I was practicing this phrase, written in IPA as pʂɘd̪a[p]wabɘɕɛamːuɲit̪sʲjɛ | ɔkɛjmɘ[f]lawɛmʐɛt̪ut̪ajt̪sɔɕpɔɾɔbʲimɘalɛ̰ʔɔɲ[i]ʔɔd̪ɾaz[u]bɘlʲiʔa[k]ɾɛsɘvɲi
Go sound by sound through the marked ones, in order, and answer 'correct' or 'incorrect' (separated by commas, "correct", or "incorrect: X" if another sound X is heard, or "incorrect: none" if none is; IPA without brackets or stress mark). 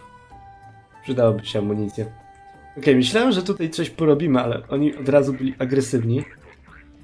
incorrect: none, incorrect: ɕ, correct, correct, incorrect: ɡ